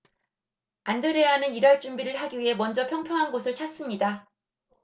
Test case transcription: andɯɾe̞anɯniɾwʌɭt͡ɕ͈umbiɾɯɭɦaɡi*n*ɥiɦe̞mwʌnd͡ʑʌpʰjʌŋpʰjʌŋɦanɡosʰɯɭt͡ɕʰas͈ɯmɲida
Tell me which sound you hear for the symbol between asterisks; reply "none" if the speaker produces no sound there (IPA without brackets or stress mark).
none